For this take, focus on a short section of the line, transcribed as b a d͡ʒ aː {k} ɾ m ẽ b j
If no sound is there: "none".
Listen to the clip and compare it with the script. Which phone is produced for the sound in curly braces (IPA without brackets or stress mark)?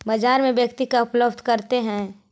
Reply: none